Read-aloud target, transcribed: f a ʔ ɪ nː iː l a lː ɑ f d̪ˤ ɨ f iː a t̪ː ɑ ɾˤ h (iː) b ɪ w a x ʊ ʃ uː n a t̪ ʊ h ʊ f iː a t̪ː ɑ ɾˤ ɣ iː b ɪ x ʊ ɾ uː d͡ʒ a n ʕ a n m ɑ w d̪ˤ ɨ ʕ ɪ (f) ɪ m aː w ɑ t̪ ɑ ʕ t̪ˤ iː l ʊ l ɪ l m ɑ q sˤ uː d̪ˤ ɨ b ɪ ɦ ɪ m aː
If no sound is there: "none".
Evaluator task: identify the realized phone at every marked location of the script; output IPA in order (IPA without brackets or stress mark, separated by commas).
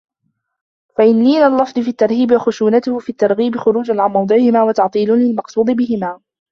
iː, h